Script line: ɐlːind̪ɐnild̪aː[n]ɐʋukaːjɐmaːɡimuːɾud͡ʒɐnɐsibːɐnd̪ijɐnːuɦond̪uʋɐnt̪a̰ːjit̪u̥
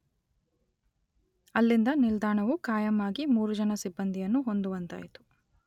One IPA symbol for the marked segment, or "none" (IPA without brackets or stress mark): ɳ